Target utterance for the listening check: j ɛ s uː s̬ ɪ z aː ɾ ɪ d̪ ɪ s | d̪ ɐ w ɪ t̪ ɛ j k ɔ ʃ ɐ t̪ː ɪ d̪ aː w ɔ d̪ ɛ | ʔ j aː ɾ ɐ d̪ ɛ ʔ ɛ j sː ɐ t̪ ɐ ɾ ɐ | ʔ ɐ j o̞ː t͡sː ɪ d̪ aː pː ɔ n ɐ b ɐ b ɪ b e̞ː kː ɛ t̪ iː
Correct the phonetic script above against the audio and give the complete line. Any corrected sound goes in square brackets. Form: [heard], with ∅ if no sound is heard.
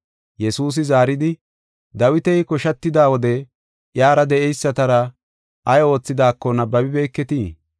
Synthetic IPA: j ɛ s uː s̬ ɪ z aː ɾ ɪ d̪ ɪ [∅] | d̪ ɐ w ɪ t̪ ɛ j k ɔ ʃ ɐ t̪ː ɪ d̪ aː w ɔ d̪ ɛ | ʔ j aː ɾ ɐ d̪ ɛ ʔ ɛ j sː ɐ t̪ ɐ ɾ ɐ | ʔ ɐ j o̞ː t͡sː ɪ d̪ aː [kː] ɔ n ɐ b ɐ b ɪ b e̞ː kː ɛ t̪ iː